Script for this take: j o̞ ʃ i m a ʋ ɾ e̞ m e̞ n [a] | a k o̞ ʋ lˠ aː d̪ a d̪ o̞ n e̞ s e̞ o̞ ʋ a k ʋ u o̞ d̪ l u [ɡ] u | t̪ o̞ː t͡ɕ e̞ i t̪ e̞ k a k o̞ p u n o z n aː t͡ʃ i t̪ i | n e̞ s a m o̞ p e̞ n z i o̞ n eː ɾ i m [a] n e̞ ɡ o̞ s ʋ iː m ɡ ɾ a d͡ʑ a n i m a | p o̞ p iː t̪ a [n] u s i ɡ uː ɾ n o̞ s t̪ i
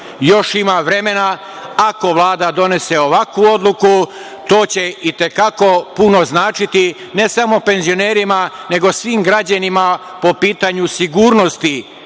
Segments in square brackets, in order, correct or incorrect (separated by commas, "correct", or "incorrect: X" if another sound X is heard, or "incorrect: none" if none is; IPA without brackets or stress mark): correct, incorrect: k, correct, incorrect: ɲ